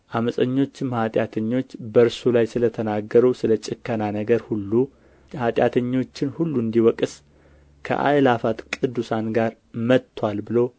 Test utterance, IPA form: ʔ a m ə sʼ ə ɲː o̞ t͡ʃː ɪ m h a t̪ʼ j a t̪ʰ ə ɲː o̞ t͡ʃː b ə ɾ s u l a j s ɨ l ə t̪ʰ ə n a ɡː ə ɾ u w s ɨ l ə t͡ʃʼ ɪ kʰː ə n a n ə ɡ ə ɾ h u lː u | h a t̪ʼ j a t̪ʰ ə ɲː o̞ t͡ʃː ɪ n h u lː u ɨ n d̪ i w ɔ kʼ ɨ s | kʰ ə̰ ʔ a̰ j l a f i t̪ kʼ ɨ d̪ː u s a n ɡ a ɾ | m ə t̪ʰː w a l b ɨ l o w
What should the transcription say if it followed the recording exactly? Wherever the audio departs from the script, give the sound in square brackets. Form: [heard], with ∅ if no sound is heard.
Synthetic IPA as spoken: ʔ a m ə sʼ ə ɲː o̞ t͡ʃː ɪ m h a t̪ʼ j a t̪ʰ ə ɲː o̞ t͡ʃː b ə ɾ s u l a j s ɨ l ə t̪ʰ ə n a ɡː ə ɾ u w s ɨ l ə t͡ʃʼ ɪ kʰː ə n a n ə ɡ ə ɾ h u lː u | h a t̪ʼ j a t̪ʰ ə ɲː o̞ t͡ʃː ɪ n h u lː u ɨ n d̪ i w ɔ kʼ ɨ s | kʰ ə̰ ʔ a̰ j l a f [a] t̪ kʼ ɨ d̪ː u s a n ɡ a ɾ | m ə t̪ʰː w a l b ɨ l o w

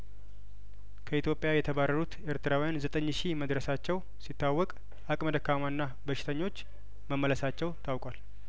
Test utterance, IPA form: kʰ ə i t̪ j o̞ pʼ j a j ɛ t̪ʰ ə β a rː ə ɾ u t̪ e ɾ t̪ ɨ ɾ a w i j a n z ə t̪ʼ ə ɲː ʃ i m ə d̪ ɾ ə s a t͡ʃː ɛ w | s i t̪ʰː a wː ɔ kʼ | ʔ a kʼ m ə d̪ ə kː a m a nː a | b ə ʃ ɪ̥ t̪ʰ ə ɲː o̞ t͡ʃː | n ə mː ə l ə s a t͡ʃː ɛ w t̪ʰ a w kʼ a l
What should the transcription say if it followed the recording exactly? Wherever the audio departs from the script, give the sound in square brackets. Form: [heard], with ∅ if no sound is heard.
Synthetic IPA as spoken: kʰ ə i t̪ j o̞ pʼ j a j ɛ t̪ʰ ə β a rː ə ɾ u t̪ e ɾ t̪ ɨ ɾ a w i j a n z ə t̪ʼ ə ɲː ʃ i m ə d̪ ɾ ə s a t͡ʃː ɛ w | s i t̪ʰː a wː ɔ kʼ | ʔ a kʼ m ə d̪ ə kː a m a nː a | b ə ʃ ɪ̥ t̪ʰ ə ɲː o̞ t͡ʃː | [m] ə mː ə l ə s a t͡ʃː ɛ w t̪ʰ a w kʼ a l

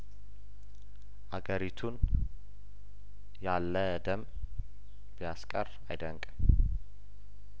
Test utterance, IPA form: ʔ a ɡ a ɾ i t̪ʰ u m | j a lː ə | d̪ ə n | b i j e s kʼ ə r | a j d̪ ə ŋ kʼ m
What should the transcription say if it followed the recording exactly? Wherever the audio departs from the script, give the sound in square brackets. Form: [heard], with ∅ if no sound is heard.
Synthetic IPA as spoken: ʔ a ɡ [ə] ɾ i t̪ʰ u [n] | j a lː ə | d̪ ə [m] | b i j [a] s kʼ ə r | a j d̪ ə ŋ kʼ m

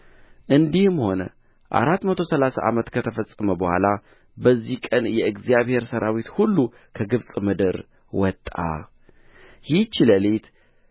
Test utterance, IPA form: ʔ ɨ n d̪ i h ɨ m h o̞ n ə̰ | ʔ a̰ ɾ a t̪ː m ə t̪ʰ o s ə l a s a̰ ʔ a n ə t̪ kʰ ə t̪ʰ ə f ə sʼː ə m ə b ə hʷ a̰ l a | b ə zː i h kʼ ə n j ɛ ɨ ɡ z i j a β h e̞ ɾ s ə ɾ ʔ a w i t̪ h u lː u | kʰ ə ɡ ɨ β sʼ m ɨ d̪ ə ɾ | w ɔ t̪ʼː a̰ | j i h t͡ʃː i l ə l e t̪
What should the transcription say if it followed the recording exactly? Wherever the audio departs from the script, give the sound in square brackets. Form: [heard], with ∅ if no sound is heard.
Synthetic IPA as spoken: ʔ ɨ n d̪ i h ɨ m h o̞ n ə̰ | ʔ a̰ ɾ a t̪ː m ə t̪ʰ o s ə l a s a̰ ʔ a [m] ə t̪ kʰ ə t̪ʰ ə f ə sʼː ə m ə b ə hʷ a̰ l a | b ə zː i h kʼ ə n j ɛ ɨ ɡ z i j a β h e̞ ɾ s ə ɾ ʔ a w i t̪ h u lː u | kʰ ə ɡ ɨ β sʼ m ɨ d̪ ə ɾ | w ɔ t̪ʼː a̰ | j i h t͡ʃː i l ə l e t̪

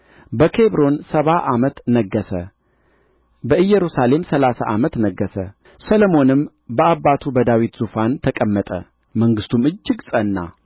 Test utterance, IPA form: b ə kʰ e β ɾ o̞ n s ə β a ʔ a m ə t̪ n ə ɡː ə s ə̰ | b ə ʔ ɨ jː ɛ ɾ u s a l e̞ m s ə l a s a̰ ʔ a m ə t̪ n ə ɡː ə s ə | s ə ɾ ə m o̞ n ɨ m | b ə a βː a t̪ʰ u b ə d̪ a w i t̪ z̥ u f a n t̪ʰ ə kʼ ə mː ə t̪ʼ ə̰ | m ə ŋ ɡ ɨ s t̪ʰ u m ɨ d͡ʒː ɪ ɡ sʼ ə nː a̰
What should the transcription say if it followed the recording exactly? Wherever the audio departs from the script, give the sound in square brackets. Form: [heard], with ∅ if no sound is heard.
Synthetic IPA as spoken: b ə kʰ e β ɾ o̞ n s ə β a ʔ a m ə t̪ n ə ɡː ə s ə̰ | b ə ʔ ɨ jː ɛ ɾ u s a l e̞ m s ə l a s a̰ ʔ a m ə t̪ n ə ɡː ə s ə | s ə [l] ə m o̞ n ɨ m | b ə a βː a t̪ʰ u b ə d̪ a w i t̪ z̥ u f a n t̪ʰ ə kʼ ə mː ə t̪ʼ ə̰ | m ə ŋ ɡ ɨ s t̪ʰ u m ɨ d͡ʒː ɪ ɡ sʼ ə nː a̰

